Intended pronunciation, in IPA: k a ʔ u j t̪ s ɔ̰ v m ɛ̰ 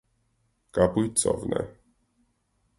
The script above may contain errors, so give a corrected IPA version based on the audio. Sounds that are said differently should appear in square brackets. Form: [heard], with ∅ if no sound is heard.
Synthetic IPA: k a [p] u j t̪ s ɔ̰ v [n] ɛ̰